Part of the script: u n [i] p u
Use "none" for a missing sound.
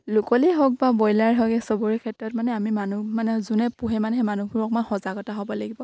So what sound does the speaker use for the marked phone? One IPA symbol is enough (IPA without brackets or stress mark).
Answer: ɛ